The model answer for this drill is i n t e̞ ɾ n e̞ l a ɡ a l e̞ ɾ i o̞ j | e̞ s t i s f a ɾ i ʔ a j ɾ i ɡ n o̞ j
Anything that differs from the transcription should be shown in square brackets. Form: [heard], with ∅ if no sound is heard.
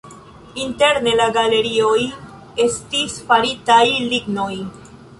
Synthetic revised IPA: i n t e̞ ɾ n e̞ l a ɡ a l e̞ ɾ i o̞ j | e̞ s t i s f a ɾ i [t] a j [l] i ɡ n o̞ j